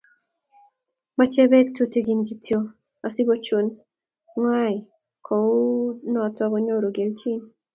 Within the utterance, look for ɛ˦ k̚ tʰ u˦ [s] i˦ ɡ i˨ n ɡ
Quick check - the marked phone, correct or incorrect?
incorrect